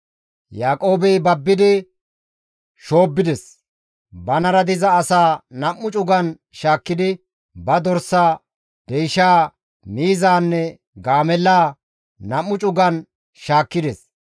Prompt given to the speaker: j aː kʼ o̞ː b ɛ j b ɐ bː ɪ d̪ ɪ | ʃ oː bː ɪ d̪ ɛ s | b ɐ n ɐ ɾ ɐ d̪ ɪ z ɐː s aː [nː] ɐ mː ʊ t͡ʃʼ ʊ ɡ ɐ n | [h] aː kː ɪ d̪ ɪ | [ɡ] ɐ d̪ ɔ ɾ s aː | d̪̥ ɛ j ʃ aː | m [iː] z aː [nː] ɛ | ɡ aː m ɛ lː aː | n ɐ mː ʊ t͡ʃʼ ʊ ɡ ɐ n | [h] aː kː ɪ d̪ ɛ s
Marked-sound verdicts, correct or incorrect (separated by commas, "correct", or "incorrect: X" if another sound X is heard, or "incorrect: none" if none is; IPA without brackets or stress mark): incorrect: n, incorrect: ʃ, incorrect: b, correct, correct, incorrect: ʃ